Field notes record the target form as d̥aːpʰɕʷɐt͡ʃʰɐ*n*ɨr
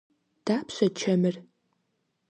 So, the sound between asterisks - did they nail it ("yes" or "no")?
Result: no